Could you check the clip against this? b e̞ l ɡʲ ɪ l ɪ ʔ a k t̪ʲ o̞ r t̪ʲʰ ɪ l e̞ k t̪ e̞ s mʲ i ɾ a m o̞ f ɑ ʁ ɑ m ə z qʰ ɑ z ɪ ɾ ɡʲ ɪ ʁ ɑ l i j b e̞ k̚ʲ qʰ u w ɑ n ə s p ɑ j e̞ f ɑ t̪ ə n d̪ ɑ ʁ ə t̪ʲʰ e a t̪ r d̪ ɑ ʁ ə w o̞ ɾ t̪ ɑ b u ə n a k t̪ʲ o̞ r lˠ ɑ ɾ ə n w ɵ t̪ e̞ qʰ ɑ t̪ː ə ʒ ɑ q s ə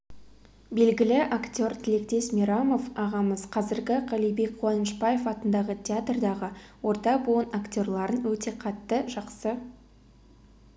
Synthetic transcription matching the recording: b e̞ l ɡʲ ɪ l ɪ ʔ a k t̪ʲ o̞ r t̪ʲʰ ɪ l e̞ k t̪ e̞ s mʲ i ɾ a m o̞ f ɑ ʁ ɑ m ə z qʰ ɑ z ɪ ɾ ɡʲ ɪ ʁ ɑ l i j b e̞ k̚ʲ qʰ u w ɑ n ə ʃ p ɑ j e̞ f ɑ t̪ ə n d̪ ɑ ʁ ə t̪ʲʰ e a t̪ r d̪ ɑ ʁ ə w o̞ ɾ t̪ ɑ b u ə n a k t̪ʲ o̞ r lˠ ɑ ɾ ə n w ɵ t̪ e̞ qʰ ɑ t̪ː ə ʒ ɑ q s ə